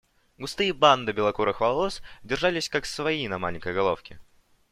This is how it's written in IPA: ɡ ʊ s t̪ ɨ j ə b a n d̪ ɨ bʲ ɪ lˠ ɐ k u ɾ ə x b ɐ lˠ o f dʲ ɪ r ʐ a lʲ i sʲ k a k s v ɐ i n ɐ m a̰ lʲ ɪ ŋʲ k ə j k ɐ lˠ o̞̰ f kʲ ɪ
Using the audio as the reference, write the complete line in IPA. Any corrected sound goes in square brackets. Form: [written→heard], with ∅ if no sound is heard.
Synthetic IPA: ɡ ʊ s t̪ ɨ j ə b a n d̪ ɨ bʲ ɪ lˠ ɐ k u ɾ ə x [b→v] ɐ lˠ o [f→s] dʲ ɪ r ʐ a lʲ [i→ɪ] sʲ k a k s v ɐ i n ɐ m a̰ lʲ ɪ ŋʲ k ə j [k→ɡ] ɐ lˠ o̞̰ f kʲ ɪ